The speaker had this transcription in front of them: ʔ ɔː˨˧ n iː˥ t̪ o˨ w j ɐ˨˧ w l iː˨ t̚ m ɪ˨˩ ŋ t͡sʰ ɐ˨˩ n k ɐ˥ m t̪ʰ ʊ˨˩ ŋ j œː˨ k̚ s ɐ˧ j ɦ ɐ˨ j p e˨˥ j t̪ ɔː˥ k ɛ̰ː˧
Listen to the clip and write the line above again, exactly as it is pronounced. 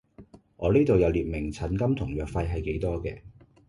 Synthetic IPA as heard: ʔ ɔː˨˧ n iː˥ t̪ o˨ w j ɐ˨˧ w l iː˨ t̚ m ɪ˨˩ ŋ t͡sʰ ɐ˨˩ n k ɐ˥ m t̪ʰ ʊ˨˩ ŋ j œː˨ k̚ f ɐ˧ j ɦ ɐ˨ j k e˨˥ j t̪ ɔː˥ k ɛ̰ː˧